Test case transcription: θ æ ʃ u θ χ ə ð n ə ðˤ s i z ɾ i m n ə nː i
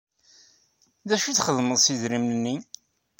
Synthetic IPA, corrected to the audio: ð æ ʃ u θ χ ə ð m ə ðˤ s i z ɾ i m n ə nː i